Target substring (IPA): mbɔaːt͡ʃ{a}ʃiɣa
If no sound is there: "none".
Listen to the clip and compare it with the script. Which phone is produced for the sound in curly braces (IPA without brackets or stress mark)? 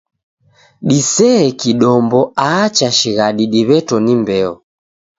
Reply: a